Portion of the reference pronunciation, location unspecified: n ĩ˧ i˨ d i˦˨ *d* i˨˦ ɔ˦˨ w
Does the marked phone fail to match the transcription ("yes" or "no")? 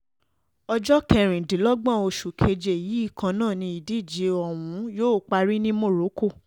yes